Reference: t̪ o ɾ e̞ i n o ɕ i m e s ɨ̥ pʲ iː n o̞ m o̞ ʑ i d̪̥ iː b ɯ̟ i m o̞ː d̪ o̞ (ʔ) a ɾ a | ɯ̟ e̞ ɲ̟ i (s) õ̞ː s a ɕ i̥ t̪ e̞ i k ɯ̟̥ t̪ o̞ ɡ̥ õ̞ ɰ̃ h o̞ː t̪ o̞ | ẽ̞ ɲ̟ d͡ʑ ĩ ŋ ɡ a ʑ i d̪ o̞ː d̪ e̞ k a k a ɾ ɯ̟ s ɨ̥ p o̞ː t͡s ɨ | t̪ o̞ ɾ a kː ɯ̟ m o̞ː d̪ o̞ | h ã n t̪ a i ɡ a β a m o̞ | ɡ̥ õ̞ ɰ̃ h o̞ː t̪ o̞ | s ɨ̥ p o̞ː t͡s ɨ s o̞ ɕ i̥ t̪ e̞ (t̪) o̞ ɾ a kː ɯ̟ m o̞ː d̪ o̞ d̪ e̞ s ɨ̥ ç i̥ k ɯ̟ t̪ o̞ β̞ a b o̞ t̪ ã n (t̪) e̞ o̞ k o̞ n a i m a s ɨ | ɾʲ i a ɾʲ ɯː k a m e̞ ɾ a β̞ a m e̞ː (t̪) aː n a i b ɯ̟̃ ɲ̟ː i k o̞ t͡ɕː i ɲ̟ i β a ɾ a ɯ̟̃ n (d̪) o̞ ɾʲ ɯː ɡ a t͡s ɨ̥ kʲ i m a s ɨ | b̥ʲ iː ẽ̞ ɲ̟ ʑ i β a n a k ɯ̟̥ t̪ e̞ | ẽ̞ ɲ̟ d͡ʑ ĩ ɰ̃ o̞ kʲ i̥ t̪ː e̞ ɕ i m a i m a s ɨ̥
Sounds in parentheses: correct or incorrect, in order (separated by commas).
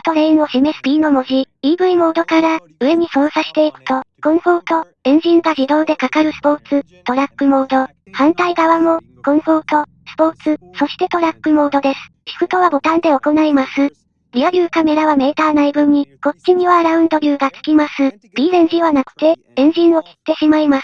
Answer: incorrect, correct, correct, incorrect, correct, correct